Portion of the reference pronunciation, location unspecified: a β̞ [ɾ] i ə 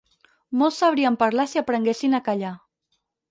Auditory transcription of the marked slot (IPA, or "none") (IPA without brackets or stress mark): ɾ